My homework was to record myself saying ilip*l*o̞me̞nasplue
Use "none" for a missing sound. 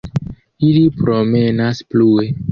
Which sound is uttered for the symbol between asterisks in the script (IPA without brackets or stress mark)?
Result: ɾ